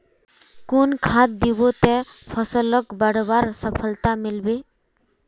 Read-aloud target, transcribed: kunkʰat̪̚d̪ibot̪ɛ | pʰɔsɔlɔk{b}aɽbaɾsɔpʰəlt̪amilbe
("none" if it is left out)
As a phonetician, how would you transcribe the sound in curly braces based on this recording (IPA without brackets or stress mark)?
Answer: b